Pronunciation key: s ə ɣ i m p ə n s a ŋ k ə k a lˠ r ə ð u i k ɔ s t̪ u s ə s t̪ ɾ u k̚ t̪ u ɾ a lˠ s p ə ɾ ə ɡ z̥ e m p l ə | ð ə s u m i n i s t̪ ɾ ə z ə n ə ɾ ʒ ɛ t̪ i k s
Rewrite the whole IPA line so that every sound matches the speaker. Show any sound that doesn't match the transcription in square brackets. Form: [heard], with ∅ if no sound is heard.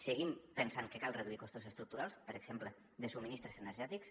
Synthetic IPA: s ə ɣ i m p ə n s a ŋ k ə k a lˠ r ə ð u i k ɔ s t̪ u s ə s t̪ ɾ u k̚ t̪ u ɾ a lˠ s p ə ɾ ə ɡ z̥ e m p l ə | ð ə s u m i n i s t̪ ɾ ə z ə n ə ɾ ʒ ɛ t̪ i k s